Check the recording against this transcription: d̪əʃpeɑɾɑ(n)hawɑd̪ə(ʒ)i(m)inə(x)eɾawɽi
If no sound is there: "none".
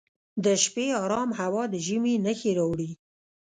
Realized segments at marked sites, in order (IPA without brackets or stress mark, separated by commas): m, ʒ, m, x